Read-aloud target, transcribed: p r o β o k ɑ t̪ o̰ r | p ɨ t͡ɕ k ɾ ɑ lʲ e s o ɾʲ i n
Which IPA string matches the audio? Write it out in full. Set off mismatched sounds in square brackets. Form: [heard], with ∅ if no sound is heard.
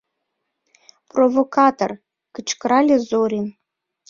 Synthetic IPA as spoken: p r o [v] o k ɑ t̪ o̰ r | [k] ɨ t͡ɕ k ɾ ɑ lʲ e [z] o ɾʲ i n